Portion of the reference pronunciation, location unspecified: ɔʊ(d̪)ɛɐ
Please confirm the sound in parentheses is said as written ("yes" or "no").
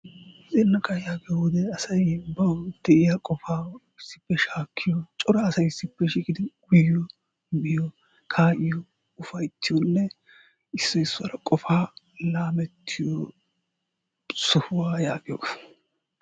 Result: yes